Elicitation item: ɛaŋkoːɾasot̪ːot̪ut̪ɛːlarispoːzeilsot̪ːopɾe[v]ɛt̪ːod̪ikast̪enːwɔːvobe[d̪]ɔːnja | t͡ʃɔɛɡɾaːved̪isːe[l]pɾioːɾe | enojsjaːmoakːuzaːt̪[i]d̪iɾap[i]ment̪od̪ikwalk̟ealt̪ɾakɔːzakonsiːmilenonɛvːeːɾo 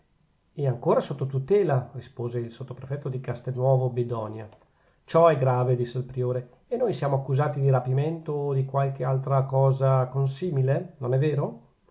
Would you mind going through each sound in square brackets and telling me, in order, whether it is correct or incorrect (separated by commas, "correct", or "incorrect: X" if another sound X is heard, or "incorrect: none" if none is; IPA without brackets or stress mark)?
incorrect: f, correct, correct, correct, correct